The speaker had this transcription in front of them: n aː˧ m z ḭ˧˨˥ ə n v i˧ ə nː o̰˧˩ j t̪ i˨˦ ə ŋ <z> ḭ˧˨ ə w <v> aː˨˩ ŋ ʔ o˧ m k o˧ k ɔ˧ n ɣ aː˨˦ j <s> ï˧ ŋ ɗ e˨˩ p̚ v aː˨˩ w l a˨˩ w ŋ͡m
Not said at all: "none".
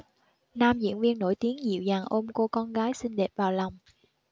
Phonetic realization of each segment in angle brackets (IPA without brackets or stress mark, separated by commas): z, z, s